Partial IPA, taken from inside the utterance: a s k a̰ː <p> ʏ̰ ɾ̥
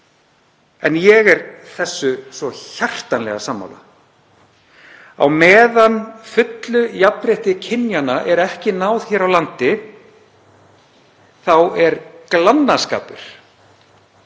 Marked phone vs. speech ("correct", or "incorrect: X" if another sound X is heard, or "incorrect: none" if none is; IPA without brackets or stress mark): correct